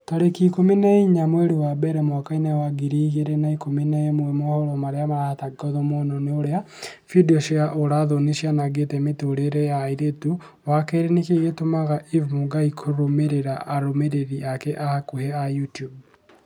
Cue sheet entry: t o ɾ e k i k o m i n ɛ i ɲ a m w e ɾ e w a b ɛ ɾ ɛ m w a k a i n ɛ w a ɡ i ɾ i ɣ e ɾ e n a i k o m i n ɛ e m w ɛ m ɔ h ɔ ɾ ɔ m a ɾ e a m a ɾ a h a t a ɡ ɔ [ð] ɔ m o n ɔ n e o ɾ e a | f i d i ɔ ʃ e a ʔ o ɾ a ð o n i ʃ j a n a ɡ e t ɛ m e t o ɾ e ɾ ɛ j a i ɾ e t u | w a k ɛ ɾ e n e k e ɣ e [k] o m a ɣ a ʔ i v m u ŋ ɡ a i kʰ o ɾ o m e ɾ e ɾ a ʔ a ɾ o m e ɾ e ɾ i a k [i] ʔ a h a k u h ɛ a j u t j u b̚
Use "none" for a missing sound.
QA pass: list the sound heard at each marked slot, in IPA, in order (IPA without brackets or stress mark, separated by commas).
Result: ð, t, ɛ